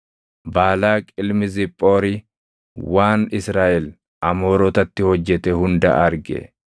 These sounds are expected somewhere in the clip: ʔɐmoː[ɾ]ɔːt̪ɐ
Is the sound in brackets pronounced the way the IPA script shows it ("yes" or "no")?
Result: yes